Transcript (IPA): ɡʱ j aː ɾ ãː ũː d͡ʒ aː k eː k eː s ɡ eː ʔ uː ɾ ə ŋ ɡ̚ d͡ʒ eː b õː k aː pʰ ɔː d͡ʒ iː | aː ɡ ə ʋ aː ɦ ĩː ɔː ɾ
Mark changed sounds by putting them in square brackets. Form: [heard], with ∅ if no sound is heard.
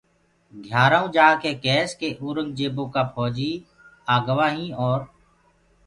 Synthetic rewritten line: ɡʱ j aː ɾ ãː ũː d͡ʒ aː k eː k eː s [k] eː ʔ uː ɾ ə ŋ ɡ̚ d͡ʒ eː b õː k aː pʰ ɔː d͡ʒ iː | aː ɡ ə ʋ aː ɦ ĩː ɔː ɾ